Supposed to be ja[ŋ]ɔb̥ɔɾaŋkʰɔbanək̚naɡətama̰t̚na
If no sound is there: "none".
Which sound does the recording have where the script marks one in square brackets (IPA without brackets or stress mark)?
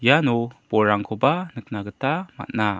n